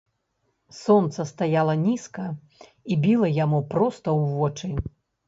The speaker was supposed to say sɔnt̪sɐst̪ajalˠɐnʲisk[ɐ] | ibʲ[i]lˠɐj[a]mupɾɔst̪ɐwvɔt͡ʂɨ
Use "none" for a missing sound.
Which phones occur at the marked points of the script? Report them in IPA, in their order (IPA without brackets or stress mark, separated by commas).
ɐ, i, a